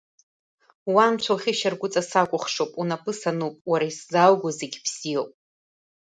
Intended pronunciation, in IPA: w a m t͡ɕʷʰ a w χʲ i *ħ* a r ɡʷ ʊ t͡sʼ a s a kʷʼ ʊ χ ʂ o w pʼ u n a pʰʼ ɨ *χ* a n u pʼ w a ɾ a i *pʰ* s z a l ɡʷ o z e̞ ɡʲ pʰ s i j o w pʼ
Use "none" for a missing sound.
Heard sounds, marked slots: ʃ, s, none

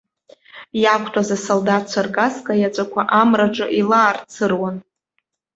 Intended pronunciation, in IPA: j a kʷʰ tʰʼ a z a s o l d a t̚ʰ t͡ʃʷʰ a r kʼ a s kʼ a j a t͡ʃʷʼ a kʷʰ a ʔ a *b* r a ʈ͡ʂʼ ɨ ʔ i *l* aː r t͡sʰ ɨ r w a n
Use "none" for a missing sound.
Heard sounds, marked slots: m, l

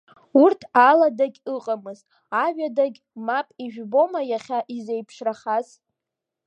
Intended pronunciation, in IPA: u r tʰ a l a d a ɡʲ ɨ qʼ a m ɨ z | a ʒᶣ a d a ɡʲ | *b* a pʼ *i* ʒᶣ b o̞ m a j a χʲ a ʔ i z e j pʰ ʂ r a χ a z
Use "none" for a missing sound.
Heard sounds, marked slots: m, i

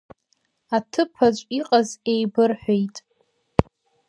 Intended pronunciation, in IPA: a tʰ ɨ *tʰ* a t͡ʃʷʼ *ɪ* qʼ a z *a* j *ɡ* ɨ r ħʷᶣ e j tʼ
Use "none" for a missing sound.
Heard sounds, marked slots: pʰ, i, e, b

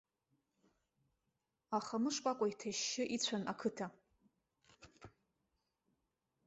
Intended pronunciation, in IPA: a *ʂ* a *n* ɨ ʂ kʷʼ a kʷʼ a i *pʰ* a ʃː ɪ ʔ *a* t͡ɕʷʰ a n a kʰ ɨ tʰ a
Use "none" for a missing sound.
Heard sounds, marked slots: χ, m, tʰ, i

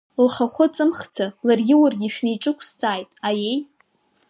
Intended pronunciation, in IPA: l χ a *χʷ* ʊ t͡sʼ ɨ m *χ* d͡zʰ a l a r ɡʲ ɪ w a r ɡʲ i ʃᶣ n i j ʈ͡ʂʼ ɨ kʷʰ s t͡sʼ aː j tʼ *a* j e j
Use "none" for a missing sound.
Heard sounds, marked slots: χʷ, χ, a

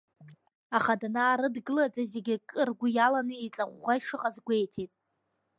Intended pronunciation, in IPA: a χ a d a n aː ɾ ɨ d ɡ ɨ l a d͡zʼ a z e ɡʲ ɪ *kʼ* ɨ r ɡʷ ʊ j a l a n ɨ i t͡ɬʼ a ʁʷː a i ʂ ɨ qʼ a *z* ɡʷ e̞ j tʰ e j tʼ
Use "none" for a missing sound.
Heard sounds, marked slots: kʼ, z

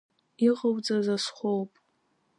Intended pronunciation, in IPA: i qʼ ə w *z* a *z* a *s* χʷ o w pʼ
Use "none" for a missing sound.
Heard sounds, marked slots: d͡z, z, s

